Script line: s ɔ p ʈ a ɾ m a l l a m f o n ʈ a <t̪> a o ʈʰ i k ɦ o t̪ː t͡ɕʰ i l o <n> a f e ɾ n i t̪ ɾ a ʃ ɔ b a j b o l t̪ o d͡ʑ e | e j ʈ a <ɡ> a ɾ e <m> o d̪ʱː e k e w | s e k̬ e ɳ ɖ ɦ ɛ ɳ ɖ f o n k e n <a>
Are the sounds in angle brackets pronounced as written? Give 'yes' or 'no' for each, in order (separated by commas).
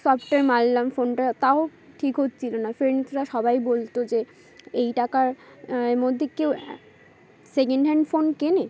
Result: yes, yes, no, yes, no